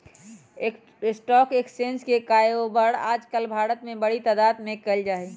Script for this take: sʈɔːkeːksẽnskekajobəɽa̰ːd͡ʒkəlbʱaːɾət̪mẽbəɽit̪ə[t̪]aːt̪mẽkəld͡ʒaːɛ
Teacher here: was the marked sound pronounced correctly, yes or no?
no